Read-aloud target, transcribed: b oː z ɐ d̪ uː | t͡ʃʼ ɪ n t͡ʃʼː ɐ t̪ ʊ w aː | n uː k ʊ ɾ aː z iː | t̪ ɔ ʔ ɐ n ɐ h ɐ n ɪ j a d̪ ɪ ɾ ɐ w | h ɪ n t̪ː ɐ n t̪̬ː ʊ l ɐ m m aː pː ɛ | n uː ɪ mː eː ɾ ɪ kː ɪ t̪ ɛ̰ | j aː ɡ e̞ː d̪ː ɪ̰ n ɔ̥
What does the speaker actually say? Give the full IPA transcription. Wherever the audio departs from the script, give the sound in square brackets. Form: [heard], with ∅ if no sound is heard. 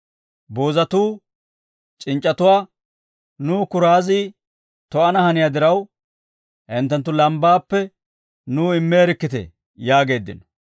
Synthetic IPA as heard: b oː z ɐ [t̪] uː | t͡ʃʼ ɪ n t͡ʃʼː ɐ t̪ ʊ w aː | n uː k ʊ ɾ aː z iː | t̪ ɔ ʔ ɐ n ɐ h ɐ n ɪ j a d̪ ɪ ɾ ɐ w | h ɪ n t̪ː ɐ n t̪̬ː ʊ l ɐ m [b] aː pː ɛ | n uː ɪ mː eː ɾ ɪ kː ɪ t̪ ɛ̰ | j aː ɡ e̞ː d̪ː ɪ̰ n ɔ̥